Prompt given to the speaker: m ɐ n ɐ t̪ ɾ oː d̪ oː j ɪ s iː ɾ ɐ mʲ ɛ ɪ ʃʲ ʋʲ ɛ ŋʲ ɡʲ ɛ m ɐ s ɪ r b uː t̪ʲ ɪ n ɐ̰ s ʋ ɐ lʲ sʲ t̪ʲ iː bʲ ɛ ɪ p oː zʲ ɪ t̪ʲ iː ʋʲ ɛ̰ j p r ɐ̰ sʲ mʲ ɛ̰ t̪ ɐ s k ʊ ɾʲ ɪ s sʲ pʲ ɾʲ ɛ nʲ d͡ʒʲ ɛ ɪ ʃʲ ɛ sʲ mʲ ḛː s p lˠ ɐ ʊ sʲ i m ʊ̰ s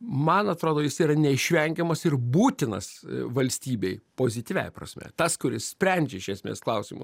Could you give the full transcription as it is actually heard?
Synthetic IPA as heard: m ɐ n ɐ t̪ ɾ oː d̪ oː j ɪ s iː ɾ ɐ nʲ ɛ ɪ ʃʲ ʋʲ ɛ ŋʲ ɡʲ ɛ m ɐ s ɪ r b uː t̪ʲ ɪ n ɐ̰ s ʋ ɐ lʲ sʲ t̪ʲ iː bʲ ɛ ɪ p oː zʲ ɪ t̪ʲ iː ʋʲ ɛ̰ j p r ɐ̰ sʲ mʲ ɛ̰ t̪ ɐ s k ʊ ɾʲ ɪ s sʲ pʲ ɾʲ ɛ nʲ d͡ʒʲ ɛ ɪ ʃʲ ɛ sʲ mʲ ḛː s k lˠ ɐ ʊ sʲ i m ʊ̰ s